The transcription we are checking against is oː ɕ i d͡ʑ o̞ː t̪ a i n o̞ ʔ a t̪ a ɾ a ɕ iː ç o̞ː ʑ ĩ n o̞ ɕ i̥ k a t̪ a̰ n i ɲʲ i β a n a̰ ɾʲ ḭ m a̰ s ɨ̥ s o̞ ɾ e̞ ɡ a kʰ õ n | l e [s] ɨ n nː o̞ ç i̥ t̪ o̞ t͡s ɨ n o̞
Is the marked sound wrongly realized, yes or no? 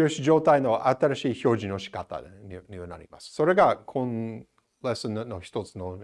no